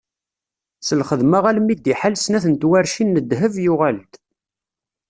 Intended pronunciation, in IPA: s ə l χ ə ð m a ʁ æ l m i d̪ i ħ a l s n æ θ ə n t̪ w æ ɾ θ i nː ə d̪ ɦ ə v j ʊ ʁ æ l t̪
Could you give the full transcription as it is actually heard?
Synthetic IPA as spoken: s ə l χ ə ð m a ʁ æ l m i d̪ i ħ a l s n æ θ ə n t̪ w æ ɾ ʃ i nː ə d̪ ɦ ə v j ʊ ʁ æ l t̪

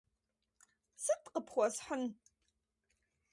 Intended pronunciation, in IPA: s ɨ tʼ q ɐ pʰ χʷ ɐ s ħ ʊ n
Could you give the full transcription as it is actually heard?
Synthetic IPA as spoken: s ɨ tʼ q ə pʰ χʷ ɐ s ħ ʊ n

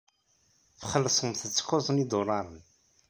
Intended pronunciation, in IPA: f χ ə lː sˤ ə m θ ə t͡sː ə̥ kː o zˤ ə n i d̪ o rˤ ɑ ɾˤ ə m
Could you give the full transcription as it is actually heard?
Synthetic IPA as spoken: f χ ə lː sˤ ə m θ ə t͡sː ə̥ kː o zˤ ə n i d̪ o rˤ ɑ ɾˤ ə n

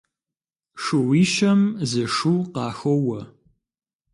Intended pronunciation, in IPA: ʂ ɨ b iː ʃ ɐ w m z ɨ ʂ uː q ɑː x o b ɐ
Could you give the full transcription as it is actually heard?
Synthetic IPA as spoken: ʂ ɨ w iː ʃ ɐ m z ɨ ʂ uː q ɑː x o w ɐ

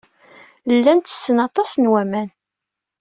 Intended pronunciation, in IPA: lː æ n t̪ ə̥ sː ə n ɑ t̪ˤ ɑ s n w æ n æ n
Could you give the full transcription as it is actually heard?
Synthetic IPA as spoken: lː æ n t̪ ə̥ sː ə n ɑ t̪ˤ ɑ s n w æ m æ n

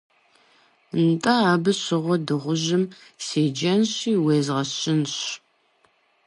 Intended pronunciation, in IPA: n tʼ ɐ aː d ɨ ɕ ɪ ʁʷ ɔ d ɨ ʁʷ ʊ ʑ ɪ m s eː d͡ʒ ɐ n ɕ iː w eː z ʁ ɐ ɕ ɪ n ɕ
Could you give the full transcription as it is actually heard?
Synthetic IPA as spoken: n tʼ ɐ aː b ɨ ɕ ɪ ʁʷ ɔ d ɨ ʁʷ ʊ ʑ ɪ m s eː d͡ʒ ɐ n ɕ iː w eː z ʁ ɐ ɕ ɪ n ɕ

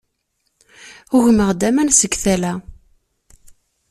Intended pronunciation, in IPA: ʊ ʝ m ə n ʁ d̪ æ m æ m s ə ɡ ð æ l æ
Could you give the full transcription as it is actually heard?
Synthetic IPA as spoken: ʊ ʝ m ə ʁ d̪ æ m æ n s ə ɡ θ æ l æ

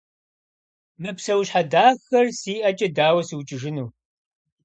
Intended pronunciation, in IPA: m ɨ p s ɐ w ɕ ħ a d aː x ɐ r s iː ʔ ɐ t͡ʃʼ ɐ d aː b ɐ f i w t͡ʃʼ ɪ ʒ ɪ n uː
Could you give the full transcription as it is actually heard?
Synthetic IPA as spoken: m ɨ p s ɐ w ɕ ħ a d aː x ɐ r s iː ʔ ɐ t͡ʃʼ ɐ d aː w ɐ s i w t͡ʃʼ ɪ ʒ ɪ n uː

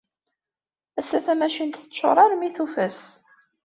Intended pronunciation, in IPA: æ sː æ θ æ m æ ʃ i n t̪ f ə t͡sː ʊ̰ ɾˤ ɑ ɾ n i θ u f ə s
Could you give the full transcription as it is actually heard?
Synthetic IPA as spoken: æ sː æ θ æ m æ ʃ i n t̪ θ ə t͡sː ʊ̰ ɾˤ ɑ ɾ m i θ u f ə s

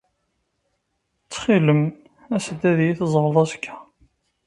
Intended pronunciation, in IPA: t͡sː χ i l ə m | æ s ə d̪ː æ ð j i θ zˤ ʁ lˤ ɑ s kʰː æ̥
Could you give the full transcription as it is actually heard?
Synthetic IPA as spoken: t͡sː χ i l ə m | æ s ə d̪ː æ ð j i θ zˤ ʁ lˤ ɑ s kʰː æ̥

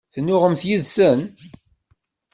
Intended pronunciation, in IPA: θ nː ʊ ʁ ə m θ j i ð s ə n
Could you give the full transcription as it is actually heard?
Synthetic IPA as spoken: θ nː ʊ ʁ ə m θ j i ð s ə n

